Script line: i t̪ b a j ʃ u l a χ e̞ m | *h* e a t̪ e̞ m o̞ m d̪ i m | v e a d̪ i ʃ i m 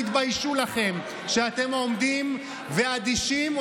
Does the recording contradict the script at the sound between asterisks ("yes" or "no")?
yes